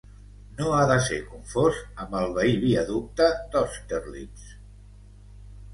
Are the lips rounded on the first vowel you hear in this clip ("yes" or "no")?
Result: yes